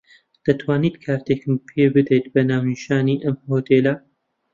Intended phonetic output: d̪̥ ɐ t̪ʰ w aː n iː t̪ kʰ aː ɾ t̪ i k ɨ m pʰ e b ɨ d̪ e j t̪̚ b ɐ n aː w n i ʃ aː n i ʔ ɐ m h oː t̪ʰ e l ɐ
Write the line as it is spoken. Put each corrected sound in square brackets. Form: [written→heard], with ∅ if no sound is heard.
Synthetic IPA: d̪̥ ɐ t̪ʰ w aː n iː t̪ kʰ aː ɾ t̪ [i→e] k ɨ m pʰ e b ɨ d̪ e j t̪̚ b ɐ n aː w n i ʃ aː n i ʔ ɐ m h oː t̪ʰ e l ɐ